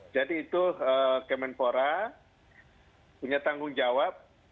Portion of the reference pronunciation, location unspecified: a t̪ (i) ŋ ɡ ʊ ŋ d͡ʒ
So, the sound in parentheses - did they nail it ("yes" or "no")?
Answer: no